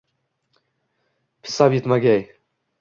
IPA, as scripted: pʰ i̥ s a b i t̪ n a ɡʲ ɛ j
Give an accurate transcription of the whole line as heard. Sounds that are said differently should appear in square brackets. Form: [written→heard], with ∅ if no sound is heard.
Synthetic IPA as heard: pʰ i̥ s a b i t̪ [n→m] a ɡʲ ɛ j